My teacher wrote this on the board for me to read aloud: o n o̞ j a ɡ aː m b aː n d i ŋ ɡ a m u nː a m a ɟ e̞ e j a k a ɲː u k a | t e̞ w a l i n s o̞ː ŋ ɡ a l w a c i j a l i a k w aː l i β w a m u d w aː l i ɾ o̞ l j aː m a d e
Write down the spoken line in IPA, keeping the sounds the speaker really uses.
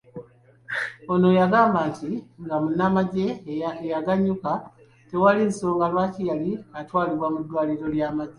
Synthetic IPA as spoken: o n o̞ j a ɡ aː m b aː n t i ŋ ɡ a m u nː a m a ɟ e̞ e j a ɡ a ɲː u k a | t e̞ w a l i n s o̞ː ŋ ɡ a l w a c i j a l i a t w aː l i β w a m u d w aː l i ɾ o̞ l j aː m a ɟ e